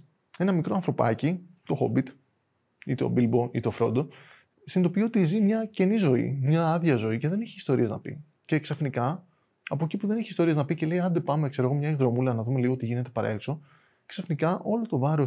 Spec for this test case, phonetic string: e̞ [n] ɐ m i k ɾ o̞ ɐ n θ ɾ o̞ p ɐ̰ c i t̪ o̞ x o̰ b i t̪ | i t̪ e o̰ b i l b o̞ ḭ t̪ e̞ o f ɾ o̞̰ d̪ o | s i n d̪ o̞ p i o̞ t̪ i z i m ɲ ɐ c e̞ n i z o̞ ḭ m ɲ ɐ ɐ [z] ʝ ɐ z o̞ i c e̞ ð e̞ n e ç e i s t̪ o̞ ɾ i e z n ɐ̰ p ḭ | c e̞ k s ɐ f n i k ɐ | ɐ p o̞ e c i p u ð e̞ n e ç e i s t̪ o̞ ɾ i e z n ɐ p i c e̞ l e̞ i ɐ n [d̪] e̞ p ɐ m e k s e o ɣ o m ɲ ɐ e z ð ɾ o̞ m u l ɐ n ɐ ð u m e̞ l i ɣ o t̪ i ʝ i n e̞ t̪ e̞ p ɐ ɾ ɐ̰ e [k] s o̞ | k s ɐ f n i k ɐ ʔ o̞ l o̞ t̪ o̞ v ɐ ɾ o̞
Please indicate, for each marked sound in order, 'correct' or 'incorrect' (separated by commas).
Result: correct, incorrect, correct, correct